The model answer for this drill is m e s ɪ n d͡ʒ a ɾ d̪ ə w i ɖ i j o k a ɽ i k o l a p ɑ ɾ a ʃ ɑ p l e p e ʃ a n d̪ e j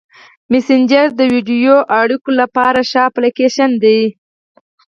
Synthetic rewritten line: m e s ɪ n d͡ʒ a ɾ d̪ ə w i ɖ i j o ʔ a ɽ i k o l a p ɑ ɾ a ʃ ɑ p l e k e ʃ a n d̪ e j